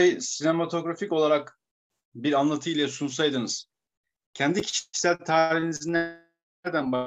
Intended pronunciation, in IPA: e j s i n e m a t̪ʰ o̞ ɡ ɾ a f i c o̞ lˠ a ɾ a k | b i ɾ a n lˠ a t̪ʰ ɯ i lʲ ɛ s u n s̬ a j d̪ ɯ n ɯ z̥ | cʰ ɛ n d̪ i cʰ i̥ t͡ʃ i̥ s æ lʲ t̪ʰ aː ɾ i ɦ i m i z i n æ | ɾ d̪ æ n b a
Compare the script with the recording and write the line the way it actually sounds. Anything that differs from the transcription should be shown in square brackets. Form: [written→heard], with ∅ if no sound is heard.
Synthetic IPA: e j s i n e m a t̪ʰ o̞ ɡ ɾ a f i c o̞ lˠ a ɾ a k | b i ɾ a n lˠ a t̪ʰ ɯ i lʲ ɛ s u n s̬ a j d̪ ɯ n ɯ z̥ | cʰ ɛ n d̪ i cʰ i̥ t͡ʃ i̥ s æ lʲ t̪ʰ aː ɾ i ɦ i [m→n] i z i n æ | ɾ d̪ æ n b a